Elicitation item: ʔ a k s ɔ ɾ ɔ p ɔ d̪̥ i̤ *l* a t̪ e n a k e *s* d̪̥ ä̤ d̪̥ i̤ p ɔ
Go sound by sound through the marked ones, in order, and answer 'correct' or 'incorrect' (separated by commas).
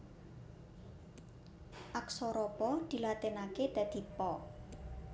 correct, incorrect